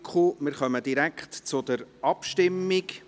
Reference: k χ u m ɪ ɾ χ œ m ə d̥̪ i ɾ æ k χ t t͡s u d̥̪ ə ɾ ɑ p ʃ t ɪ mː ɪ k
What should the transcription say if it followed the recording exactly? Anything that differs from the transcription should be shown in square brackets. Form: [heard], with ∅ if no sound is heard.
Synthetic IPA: k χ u m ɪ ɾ χ œ m ə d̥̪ i ɾ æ k χ t t͡s [ʊ] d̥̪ ə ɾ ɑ p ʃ t ɪ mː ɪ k